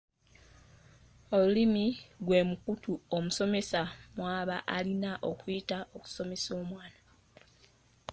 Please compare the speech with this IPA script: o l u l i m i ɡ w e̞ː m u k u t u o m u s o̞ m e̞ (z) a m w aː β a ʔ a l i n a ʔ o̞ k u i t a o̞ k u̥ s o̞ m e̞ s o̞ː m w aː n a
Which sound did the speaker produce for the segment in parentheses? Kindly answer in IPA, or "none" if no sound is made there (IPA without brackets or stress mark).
s